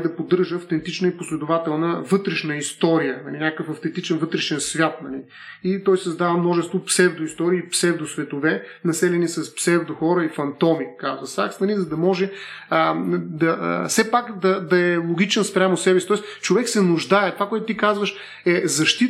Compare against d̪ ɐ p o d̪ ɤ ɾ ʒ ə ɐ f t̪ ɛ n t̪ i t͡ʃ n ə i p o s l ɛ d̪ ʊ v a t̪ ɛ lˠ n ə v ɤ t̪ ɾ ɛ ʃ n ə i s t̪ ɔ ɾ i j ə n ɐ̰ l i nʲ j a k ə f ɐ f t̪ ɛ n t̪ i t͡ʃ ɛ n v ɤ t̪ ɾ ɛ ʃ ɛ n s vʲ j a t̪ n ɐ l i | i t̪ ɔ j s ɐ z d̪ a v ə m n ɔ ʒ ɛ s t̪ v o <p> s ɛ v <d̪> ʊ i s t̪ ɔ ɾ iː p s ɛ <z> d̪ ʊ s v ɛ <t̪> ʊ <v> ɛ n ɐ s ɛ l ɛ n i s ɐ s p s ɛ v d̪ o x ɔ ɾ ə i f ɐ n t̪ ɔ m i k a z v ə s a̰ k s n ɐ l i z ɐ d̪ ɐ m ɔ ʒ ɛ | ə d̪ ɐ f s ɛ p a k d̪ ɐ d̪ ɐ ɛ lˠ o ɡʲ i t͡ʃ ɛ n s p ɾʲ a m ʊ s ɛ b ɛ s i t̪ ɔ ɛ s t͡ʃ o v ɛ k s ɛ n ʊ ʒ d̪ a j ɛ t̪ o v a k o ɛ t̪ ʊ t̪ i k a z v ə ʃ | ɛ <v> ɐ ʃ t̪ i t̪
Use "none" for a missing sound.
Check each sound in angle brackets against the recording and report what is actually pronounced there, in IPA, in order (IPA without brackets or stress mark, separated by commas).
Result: p, d̪, v, t̪, v, z